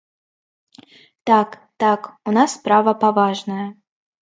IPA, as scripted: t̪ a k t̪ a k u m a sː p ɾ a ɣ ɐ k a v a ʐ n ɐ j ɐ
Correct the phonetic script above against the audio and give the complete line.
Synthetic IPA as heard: t̪ a k t̪ a k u n a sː p ɾ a v ɐ p a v a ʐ n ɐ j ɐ